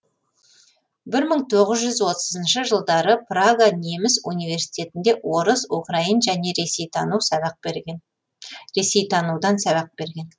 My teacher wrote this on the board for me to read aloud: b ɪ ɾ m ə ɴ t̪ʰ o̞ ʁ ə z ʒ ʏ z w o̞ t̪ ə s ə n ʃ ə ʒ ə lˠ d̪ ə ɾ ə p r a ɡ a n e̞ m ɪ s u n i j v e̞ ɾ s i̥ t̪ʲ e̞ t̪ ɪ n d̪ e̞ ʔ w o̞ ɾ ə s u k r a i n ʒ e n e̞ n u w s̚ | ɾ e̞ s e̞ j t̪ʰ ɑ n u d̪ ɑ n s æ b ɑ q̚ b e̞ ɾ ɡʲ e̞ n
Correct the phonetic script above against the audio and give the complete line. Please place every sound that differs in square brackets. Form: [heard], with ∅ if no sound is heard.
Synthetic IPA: b ɪ ɾ m ə ɴ t̪ʰ o̞ ʁ ə z ʒ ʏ z w o̞ t̪ ə [z] ə n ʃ ə ʒ ə lˠ d̪ [ɑ] ɾ ə p r a ɡ a n e̞ m ɪ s u n i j v e̞ ɾ s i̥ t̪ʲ e̞ t̪ ɪ n d̪ e̞ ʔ w o̞ ɾ ə s u k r a i n ʒ [æ] n e̞ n u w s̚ | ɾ e̞ s e̞ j t̪ʰ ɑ n u d̪ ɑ n s æ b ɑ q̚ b e̞ ɾ ɡʲ e̞ n